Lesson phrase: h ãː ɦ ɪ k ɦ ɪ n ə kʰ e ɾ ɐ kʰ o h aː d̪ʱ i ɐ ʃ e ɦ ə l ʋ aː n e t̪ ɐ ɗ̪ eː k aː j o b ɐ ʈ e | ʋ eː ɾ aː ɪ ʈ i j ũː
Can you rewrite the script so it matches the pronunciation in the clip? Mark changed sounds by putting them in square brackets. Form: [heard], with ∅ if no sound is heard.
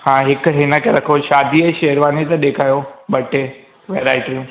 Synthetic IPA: h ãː ɦ ɪ k ɦ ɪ n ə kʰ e ɾ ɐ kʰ o [ʃ] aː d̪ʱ i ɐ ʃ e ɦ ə [ɾ] ʋ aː n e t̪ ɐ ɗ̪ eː [kʰ] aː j o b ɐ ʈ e | ʋ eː ɾ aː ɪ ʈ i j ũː